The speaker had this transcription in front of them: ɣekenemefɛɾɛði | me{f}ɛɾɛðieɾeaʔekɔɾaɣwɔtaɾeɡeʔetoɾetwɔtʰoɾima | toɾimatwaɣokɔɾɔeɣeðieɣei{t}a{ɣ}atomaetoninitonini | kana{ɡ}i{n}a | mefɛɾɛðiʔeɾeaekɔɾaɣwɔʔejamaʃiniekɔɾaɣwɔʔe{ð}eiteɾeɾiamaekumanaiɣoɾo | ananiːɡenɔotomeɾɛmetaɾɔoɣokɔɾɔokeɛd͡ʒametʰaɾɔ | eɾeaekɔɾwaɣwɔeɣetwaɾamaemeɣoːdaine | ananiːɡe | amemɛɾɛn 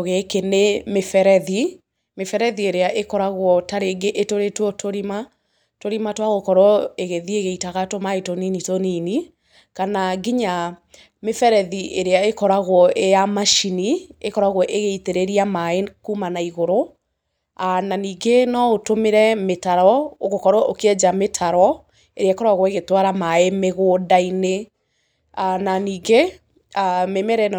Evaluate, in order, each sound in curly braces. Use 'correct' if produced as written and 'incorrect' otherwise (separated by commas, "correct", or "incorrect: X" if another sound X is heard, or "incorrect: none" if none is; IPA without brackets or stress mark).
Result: correct, correct, correct, correct, incorrect: ɲ, incorrect: ɣ